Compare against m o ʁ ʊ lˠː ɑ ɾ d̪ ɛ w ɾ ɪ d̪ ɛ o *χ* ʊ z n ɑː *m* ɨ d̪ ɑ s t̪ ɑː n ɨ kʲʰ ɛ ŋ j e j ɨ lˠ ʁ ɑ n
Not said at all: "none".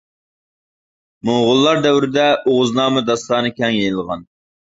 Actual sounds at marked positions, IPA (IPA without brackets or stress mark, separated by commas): ʁ, m